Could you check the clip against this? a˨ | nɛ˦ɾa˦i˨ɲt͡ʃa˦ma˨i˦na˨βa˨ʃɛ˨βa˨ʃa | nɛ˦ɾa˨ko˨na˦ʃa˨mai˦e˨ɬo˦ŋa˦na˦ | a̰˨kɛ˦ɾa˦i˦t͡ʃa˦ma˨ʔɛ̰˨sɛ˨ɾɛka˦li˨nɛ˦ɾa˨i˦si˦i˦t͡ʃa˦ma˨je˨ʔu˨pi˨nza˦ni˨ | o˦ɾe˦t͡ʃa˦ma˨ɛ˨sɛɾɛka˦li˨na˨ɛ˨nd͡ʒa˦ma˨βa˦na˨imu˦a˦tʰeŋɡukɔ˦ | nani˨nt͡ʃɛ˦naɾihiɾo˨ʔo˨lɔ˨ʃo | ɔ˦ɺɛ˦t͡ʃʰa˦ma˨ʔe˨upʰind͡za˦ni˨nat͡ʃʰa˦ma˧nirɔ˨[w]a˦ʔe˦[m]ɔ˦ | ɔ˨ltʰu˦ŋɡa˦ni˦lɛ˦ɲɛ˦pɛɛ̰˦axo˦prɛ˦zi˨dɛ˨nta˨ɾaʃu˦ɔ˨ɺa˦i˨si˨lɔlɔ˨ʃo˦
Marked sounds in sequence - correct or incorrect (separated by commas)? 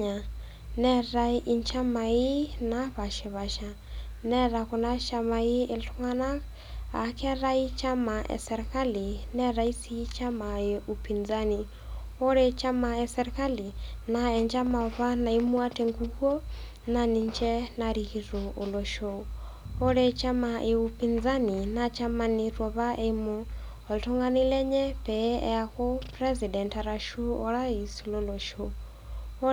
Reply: incorrect, correct